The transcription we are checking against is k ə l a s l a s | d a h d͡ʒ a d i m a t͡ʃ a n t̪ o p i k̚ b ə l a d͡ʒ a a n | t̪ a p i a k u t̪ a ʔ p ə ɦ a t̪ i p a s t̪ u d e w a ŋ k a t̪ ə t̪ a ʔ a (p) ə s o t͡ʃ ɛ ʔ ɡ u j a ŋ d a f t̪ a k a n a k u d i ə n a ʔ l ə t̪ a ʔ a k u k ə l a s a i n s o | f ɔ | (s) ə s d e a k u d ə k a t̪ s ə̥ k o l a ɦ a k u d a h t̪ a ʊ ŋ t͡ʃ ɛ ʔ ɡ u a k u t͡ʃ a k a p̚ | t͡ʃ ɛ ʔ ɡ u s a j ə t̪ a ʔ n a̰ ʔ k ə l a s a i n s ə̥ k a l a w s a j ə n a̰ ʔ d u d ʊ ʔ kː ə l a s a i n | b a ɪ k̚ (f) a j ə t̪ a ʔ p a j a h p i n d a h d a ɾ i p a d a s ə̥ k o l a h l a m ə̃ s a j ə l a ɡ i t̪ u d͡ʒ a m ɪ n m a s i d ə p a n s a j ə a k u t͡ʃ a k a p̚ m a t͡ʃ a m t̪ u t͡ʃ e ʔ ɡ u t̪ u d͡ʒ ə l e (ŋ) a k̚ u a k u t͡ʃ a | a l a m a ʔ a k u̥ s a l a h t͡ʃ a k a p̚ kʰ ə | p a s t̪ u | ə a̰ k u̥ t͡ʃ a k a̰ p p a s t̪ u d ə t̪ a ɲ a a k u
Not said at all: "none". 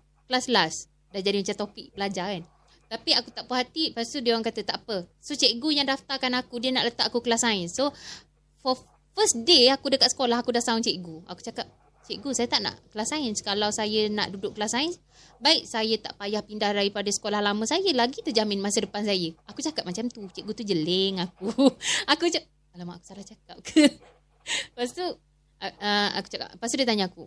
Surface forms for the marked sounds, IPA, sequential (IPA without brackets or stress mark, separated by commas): p, f, s, ŋ